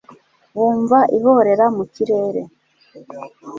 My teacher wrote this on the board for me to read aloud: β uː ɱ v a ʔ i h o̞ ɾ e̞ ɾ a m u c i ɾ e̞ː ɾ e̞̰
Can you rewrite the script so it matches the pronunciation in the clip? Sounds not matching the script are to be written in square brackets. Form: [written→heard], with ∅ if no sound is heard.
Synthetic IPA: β uː ɱ v a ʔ i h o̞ ɾ e̞ ɾ a m u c i ɾ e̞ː ɾ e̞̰

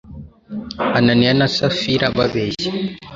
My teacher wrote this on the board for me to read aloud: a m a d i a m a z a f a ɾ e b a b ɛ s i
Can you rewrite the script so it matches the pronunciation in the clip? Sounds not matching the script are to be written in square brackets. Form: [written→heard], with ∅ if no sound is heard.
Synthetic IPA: a [m→n] a [d→n] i a [m→n] a [z→s] a f [a→i] ɾ [e→a] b a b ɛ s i

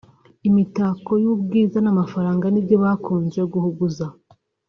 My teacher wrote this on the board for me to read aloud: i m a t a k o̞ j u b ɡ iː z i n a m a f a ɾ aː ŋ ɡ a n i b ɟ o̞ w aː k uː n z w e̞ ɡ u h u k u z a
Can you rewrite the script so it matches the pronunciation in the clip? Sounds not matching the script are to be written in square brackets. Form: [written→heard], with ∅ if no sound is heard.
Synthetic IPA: i m [a→i] t a k o̞ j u b ɡ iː z [i→a] n a m a f a ɾ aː ŋ ɡ a n i b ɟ o̞ [w→β] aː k uː n z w e̞ ɡ u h u [k→ɡ] u z a

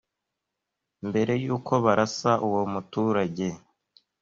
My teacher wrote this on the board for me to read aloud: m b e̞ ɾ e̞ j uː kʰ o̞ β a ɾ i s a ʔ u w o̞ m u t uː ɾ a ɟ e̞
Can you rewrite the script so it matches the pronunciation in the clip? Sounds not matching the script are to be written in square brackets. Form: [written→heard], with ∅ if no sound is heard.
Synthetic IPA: m b e̞ ɾ e̞ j uː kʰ o̞ β a ɾ [i→a] s a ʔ u w o̞ m u t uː ɾ a ɟ e̞

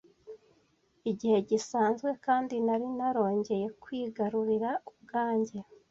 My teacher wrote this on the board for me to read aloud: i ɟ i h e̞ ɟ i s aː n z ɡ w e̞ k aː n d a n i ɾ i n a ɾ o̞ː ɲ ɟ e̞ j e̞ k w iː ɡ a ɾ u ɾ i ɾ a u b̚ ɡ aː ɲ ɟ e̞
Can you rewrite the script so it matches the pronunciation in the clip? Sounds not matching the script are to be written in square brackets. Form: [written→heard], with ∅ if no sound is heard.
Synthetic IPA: i ɟ i h e̞ ɟ i s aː n z ɡ w e̞ k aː n d [a→i] n [i→a] ɾ i n a ɾ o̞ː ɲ ɟ e̞ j e̞ k w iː ɡ a ɾ u ɾ i ɾ a u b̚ ɡ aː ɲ ɟ e̞

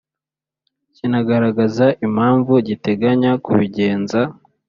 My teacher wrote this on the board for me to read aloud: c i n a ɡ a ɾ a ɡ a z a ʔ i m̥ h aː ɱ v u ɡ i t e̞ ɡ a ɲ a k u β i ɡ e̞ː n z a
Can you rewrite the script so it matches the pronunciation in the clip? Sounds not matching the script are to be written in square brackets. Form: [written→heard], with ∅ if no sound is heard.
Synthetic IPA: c i n a ɡ a ɾ a ɡ a z a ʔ i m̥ h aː ɱ v u [ɡ→ɟ] i t e̞ ɡ a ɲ a k u β i [ɡ→ɟ] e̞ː n z a

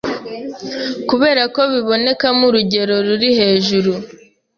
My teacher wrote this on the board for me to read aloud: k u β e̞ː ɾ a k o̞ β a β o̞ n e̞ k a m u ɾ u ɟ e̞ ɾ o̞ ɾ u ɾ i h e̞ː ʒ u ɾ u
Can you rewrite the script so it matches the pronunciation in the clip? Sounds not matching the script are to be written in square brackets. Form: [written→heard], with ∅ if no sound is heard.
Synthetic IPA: k u β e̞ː ɾ a k o̞ β [a→i] β o̞ n e̞ k a m u ɾ u ɟ e̞ ɾ o̞ ɾ u ɾ i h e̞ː ʒ u ɾ u

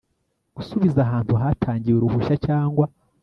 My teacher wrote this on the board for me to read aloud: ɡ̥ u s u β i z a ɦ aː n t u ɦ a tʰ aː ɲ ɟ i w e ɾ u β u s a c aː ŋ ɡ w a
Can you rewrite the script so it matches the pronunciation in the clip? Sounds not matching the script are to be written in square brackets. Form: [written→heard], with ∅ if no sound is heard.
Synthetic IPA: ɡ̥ u s u β i z a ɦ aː n t u ɦ a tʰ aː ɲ ɟ i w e ɾ u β u [s→ʃ] a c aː ŋ ɡ w a

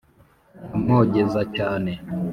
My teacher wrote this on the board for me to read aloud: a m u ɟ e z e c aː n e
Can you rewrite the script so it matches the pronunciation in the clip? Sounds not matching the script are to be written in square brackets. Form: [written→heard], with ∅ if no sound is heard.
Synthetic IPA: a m [u→o] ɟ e z [e→a] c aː n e

